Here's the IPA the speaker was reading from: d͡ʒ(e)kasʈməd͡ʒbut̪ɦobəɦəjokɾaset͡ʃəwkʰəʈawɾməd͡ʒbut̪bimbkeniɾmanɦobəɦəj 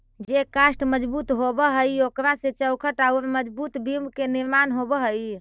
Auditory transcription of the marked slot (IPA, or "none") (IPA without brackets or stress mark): e